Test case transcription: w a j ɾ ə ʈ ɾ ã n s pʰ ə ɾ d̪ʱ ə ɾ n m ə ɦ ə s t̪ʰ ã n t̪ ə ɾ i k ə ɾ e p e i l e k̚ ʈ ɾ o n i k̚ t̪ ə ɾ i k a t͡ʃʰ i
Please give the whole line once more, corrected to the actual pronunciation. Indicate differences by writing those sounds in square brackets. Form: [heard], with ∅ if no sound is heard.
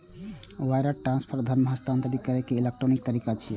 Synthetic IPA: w a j ɾ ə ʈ ɾ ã n s pʰ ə ɾ d̪ʱ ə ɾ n m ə ɦ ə s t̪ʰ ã n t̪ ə ɾ i k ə ɾ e [k] e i l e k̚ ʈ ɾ o n i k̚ t̪ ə ɾ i k a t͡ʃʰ i